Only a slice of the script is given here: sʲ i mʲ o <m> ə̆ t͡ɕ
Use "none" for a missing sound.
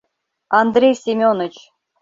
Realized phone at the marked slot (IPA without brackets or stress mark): n